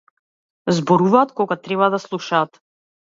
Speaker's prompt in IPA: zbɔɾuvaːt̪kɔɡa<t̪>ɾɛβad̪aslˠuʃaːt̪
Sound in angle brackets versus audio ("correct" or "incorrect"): correct